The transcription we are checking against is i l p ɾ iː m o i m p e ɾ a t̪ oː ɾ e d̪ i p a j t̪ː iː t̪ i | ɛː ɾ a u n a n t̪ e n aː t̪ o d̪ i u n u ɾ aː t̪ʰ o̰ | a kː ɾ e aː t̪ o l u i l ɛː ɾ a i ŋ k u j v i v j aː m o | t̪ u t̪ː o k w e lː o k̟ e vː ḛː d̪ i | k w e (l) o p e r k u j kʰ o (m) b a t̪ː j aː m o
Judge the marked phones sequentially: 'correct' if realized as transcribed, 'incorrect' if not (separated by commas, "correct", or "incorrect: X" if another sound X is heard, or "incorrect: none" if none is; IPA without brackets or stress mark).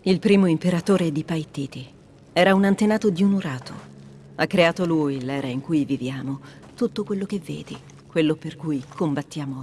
incorrect: lː, correct